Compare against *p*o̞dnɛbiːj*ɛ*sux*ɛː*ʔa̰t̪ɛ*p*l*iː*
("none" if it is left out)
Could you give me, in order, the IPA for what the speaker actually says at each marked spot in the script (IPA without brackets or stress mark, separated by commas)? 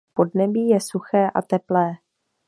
p, ɛ, ɛː, p, ɛː